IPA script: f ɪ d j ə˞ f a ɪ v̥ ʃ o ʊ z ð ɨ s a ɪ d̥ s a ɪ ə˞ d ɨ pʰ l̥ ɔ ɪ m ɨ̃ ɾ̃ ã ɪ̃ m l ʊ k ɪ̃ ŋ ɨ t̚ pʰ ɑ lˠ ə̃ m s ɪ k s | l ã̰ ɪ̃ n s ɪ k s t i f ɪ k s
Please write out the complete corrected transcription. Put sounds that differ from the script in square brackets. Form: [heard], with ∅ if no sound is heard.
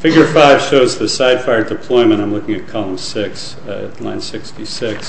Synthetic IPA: f ɪ [ɡ] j ə˞ f a ɪ v̥ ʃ o ʊ z ð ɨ s a ɪ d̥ [f] a ɪ ə˞ d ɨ pʰ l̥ ɔ ɪ m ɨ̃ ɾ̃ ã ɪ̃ m l ʊ k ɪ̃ ŋ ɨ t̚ [kʰ] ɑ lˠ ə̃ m s ɪ k s | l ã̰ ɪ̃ n s ɪ k s t i [s] ɪ k s